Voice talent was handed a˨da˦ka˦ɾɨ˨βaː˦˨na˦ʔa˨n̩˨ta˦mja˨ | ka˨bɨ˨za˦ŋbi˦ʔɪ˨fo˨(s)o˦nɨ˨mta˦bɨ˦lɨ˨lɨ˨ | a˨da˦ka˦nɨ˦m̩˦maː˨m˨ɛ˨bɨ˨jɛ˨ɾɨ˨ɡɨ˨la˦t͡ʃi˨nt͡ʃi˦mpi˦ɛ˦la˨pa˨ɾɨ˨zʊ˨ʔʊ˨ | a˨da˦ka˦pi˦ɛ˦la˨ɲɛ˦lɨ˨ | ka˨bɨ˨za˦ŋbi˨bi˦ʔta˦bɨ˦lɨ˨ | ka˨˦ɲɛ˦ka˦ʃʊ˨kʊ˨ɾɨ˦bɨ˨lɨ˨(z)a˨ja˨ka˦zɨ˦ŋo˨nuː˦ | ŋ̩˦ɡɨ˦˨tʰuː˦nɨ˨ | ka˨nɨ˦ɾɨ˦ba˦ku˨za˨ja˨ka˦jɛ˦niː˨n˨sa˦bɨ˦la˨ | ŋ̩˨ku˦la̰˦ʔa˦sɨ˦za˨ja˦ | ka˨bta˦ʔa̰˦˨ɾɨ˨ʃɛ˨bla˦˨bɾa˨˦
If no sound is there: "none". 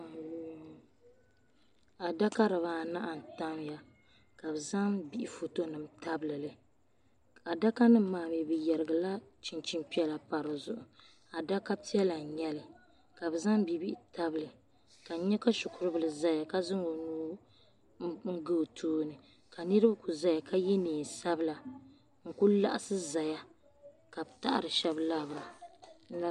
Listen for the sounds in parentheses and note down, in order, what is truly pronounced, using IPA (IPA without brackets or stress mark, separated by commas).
t, z